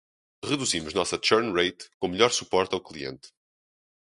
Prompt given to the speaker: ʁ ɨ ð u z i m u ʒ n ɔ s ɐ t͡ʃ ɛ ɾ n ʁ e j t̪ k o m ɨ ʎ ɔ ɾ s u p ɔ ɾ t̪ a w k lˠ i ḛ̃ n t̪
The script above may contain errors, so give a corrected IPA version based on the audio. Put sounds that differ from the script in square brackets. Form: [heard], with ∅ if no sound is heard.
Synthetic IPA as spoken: ʁ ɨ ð u z i m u ʒ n ɔ s ɐ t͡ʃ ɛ ɾ n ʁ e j t̪ k [õ] m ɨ ʎ ɔ ɾ s u p ɔ ɾ t̪ a w k lˠ i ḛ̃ n t̪